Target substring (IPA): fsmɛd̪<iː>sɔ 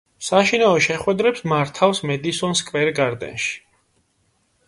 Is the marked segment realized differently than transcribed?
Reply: yes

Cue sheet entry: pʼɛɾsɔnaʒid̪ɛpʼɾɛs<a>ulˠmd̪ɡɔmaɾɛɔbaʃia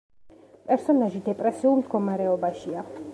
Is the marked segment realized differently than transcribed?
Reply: yes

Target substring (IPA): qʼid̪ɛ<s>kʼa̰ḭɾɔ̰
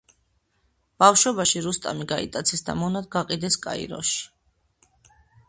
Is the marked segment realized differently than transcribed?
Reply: no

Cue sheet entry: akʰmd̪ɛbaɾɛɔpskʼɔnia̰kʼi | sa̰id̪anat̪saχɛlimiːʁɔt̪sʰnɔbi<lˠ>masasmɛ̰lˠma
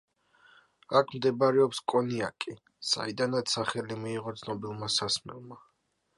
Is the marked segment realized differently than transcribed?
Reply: no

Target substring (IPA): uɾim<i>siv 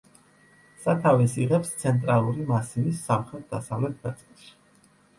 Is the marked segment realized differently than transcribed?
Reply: yes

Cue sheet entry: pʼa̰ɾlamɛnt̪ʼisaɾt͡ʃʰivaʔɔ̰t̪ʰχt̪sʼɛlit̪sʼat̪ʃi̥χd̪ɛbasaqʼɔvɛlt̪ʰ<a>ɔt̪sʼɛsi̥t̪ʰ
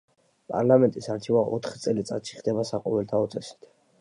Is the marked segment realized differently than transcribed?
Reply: no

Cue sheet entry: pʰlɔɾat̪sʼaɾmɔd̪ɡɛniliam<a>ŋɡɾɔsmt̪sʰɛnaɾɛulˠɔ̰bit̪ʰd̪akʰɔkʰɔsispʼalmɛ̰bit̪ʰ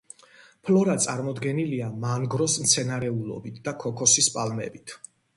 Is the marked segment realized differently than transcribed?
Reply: no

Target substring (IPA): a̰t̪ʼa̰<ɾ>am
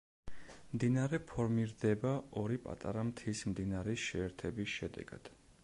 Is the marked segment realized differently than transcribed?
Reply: no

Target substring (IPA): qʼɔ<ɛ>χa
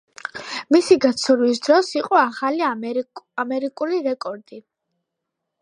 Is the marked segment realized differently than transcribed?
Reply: yes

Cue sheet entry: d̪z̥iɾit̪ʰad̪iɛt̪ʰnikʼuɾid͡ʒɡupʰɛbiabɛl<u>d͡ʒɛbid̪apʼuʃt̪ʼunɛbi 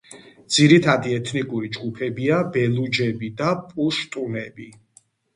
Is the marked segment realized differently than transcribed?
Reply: no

